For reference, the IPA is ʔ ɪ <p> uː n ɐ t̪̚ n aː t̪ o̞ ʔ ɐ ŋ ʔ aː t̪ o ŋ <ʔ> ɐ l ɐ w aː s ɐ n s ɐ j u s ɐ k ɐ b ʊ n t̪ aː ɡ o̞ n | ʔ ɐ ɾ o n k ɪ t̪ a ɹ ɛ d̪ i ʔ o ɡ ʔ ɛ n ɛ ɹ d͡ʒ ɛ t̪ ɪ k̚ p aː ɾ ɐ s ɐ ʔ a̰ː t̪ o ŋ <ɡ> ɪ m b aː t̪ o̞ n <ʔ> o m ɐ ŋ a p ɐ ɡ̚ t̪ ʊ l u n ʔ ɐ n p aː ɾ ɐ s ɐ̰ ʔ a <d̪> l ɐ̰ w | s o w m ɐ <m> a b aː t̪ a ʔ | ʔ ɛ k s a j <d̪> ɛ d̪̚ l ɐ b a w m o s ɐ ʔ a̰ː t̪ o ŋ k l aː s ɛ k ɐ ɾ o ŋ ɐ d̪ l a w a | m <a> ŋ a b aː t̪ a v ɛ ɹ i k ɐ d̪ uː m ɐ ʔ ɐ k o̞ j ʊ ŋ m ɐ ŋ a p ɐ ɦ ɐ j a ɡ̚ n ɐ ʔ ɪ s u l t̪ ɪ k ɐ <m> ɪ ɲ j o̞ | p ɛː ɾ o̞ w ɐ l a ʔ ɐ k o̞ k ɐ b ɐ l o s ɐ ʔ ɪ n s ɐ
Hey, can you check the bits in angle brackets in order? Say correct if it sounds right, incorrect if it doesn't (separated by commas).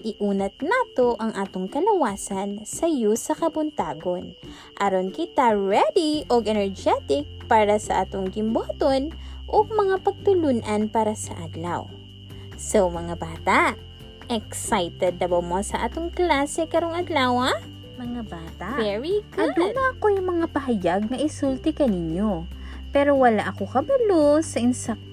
incorrect, incorrect, correct, correct, correct, incorrect, incorrect, incorrect, incorrect